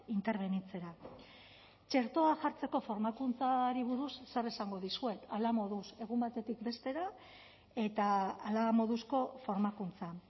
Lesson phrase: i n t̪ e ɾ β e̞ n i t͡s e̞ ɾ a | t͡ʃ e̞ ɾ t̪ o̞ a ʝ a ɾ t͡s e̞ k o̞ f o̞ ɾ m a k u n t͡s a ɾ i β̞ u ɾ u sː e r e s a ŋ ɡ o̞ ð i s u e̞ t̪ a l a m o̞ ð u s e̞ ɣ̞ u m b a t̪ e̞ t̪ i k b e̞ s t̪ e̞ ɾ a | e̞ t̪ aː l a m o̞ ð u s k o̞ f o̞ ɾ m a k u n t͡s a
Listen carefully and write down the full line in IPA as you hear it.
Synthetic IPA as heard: i n t̪ e ɾ β e̞ n i t͡s e̞ ɾ a | t͡ʃ e̞ ɾ t̪ o̞ a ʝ a ɾ t͡s e̞ k o̞ f o̞ ɾ m a k u n t͡s a ɾ i β̞ u ɾ u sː e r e s a ŋ ɡ o̞ ð i s u e̞ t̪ a l a m o̞ ð u s e̞ ɣ̞ u m b a t̪ e̞ t̪ i k b e̞ s t̪ e̞ ɾ a | e̞ t̪ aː l a m o̞ ð u s k o̞ f o̞ ɾ m a k u n t͡s a